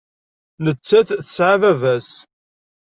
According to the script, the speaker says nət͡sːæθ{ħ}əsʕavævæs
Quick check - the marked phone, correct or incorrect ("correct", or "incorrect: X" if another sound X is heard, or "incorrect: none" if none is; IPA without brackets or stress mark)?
incorrect: θ